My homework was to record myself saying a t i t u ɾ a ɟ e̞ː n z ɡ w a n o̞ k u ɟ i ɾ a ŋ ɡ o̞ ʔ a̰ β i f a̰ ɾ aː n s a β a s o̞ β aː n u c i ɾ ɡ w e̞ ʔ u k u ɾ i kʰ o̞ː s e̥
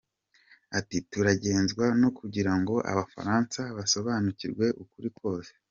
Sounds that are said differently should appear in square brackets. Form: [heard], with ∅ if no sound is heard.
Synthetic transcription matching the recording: a t i t u ɾ a ɟ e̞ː n z ɡ w a n o̞ k u ɟ i ɾ a ŋ ɡ o̞ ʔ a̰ β [a] f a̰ ɾ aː n s a β a s o̞ β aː n u c i ɾ ɡ w e̞ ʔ u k u ɾ i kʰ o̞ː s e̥